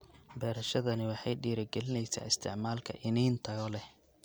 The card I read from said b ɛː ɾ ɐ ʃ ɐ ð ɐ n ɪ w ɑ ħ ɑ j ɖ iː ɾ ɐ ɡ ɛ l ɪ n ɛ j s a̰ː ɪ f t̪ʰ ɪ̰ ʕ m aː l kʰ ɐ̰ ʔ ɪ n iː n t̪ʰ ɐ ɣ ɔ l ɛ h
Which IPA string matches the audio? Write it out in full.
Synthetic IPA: b ɛː ɾ ɐ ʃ ɐ ð ɐ n ɪ w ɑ ħ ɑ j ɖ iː ɾ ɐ ɡ ɛ l ɪ n ɛ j s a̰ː ɪ s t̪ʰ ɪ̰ ʕ m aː l kʰ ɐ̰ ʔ ɪ n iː n t̪ʰ ɐ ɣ ɔ l ɛ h